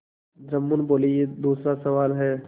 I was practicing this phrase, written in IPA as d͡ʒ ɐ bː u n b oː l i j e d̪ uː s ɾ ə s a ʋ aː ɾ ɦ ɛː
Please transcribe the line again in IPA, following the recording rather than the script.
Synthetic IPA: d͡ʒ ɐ mː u n b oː l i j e d̪ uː s ɾ a s ɐ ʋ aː l ɦ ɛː